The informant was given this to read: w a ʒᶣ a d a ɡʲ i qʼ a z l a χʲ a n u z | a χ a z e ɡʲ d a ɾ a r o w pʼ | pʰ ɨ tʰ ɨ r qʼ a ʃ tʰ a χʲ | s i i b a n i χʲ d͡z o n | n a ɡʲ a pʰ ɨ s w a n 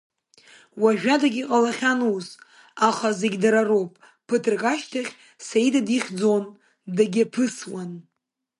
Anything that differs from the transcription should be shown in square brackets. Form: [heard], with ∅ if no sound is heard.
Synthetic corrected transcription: w a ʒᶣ a d a ɡʲ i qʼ a [∅] l a χʲ a n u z | a χ a z e ɡʲ d a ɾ a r o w pʼ | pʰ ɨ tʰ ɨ r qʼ a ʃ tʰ a χʲ | s [a] i [d] a [d] i χʲ d͡z o n | [d] a ɡʲ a pʰ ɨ s w a n